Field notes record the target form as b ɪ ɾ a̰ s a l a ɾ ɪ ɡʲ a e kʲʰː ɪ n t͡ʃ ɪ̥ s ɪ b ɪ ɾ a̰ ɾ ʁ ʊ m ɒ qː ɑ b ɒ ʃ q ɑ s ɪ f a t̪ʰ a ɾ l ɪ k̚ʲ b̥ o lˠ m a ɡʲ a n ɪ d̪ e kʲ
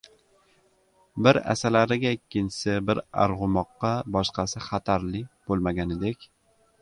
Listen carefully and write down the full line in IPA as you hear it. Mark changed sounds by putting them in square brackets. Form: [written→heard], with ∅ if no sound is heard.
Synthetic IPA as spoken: b ɪ ɾ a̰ s a l a ɾ ɪ ɡʲ a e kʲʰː ɪ n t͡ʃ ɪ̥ s ɪ b ɪ ɾ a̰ ɾ ʁ ʊ m ɒ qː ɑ b ɒ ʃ q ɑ s ɪ [f→χ] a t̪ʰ a ɾ l ɪ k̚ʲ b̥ o lˠ m a ɡʲ a n ɪ d̪ e kʲ